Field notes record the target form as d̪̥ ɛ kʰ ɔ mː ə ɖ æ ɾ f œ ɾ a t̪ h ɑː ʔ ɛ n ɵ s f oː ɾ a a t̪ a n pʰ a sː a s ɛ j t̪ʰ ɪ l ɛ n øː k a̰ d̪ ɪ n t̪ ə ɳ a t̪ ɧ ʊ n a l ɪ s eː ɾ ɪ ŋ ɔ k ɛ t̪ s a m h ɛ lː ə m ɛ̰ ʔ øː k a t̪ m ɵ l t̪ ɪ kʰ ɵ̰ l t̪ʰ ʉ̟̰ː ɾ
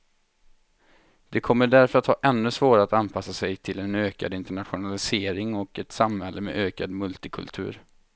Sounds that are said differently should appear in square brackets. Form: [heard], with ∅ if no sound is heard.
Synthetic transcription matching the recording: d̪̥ ɛ kʰ ɔ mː ə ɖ æ ɾ f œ ɾ a t̪ h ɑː ʔ ɛ [nː] ɵ s [v] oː ɾ a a t̪ a n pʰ a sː a s ɛ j t̪ʰ ɪ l ɛ n øː k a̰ d̪ ɪ n t̪ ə ɳ a t̪ ɧ ʊ n a l ɪ s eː ɾ ɪ ŋ ɔ k ɛ t̪ s a m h ɛ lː ə m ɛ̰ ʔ øː k a [d̪] m ɵ l t̪ ɪ kʰ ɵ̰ l t̪ʰ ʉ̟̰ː ɾ